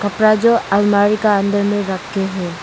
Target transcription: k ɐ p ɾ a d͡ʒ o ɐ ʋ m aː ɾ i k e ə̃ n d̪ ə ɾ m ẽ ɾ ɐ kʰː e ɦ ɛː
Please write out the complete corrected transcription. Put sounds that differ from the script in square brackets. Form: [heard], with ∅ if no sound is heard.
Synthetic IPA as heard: k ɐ p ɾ a d͡ʒ o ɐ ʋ m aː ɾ i k [a] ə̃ n d̪ ə ɾ m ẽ ɾ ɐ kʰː e ɦ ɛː